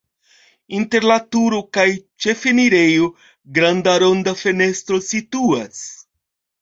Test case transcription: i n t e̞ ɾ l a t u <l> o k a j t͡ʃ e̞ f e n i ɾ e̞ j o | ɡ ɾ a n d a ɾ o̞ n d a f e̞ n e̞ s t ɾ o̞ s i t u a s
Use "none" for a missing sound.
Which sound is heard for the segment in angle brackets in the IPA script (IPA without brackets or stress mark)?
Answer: ɾ